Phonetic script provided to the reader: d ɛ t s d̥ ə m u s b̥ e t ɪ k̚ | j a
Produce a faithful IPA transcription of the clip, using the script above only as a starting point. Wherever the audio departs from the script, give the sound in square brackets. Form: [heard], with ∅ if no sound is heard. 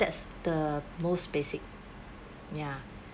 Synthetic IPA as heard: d ɛ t s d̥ ə m [o] s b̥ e [s] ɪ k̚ | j a